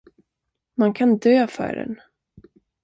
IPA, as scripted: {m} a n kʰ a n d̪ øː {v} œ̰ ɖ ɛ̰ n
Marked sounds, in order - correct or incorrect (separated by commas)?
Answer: correct, incorrect